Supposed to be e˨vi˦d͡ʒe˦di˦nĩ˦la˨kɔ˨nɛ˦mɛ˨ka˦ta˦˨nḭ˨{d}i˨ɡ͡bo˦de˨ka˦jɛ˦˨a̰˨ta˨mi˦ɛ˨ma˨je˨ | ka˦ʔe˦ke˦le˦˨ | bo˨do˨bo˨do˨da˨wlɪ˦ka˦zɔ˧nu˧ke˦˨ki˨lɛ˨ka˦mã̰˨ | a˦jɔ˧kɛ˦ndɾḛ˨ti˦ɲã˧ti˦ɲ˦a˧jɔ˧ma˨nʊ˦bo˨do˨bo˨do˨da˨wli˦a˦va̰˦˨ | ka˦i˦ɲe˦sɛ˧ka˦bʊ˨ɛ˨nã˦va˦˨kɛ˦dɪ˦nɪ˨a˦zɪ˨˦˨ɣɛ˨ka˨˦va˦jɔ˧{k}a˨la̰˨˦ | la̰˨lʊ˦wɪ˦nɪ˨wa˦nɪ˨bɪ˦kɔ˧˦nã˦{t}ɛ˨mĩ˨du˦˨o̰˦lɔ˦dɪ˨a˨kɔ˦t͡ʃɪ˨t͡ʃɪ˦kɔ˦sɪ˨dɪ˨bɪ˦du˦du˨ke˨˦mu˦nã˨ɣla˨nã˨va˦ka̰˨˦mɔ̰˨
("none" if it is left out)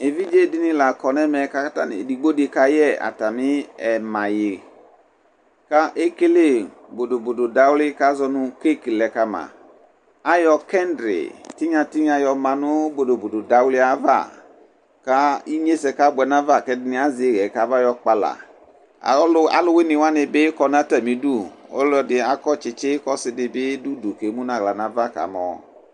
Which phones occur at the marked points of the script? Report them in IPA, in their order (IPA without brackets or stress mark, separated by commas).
d, k͡p, t